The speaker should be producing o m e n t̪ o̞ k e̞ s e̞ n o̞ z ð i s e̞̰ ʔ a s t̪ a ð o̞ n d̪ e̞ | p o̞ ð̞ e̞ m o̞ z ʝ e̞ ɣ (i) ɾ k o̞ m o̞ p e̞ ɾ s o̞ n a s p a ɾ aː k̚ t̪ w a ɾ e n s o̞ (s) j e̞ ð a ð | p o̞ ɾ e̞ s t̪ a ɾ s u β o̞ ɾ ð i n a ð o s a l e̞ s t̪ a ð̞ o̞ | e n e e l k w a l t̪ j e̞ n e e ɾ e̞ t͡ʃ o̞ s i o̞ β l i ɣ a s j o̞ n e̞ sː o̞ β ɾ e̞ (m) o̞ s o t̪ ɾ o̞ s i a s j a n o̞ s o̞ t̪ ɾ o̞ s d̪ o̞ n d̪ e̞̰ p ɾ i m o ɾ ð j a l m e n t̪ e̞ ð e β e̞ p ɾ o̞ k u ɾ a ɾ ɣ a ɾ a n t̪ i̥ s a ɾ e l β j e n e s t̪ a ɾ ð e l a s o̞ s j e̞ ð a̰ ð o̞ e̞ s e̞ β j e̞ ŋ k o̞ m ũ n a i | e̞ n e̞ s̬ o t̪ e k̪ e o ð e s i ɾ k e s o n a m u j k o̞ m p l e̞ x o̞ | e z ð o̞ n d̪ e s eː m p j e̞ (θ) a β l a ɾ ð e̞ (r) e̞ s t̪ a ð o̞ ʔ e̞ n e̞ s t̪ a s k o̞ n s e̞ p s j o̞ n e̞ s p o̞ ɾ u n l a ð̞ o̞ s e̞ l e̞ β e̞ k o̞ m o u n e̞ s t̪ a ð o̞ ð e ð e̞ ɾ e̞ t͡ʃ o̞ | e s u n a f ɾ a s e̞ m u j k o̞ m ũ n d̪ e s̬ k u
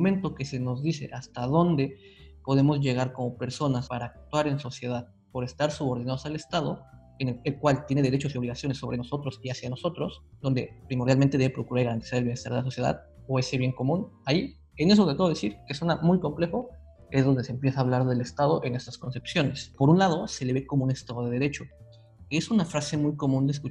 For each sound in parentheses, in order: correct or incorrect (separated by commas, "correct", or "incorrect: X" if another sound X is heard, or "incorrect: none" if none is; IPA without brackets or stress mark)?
incorrect: a, correct, incorrect: n, incorrect: s, incorrect: l